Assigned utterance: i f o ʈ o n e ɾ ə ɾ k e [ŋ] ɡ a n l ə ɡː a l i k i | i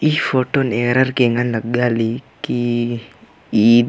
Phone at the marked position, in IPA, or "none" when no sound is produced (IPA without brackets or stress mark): ŋ